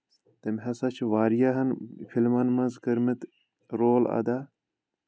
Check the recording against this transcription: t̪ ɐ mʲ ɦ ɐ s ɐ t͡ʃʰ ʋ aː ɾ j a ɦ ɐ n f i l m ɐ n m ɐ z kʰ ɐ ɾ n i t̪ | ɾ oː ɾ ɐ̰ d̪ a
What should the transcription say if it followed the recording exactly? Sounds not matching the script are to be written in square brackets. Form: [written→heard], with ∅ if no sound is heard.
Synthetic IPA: t̪ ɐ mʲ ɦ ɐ s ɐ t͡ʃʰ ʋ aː ɾ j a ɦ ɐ n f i l m ɐ n m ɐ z [kʰ→k] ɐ ɾ [n→m] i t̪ | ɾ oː [ɾ→l] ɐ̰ d̪ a